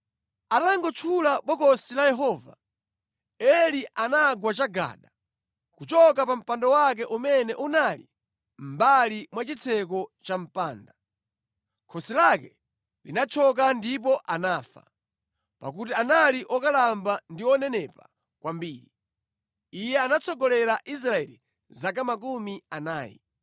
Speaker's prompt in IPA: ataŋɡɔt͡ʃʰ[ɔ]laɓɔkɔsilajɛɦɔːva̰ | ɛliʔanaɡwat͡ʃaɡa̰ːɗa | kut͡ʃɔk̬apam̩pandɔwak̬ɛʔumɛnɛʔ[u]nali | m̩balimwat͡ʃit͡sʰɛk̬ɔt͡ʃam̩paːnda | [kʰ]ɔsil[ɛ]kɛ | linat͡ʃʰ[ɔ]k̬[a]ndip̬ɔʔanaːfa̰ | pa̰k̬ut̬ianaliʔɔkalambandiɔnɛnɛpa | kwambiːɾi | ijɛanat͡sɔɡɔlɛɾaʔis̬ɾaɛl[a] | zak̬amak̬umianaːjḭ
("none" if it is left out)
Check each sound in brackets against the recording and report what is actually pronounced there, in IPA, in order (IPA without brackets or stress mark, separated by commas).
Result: u, u, kʰ, a, ɔ, a, i